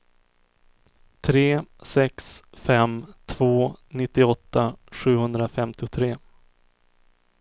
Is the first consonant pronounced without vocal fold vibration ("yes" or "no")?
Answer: yes